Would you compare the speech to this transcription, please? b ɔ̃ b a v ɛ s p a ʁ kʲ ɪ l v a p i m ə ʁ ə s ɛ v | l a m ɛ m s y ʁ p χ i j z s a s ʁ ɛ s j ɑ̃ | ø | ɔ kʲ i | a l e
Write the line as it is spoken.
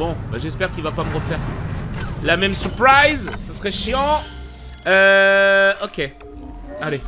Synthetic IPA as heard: b ɔ̃ b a ʒ ɛ s p ɛ ʁ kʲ i l v a p a m ə ʁ ə f ɛ ʁ | l a m ɛ m s y ʁ p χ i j z s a s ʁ ɛ ʃ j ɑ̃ | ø | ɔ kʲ e | a l e